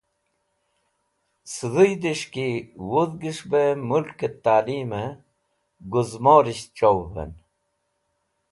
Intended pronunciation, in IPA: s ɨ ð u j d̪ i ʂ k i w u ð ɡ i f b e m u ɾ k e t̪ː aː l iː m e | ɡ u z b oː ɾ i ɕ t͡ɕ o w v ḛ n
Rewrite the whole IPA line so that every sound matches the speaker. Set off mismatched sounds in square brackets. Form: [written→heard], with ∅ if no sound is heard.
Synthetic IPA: s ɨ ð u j d̪ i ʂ k i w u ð ɡ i [f→ʂ] b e m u [ɾ→l] k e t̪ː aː l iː m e | ɡ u z [b→m] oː ɾ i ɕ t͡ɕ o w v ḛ n